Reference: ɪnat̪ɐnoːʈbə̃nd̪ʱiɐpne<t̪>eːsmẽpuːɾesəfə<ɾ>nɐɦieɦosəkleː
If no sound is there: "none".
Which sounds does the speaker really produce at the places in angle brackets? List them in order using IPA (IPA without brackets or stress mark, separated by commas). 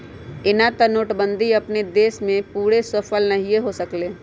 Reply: d̪, l